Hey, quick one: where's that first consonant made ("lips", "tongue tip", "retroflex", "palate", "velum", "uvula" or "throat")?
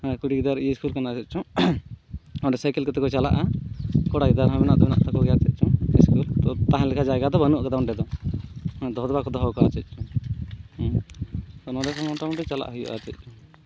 velum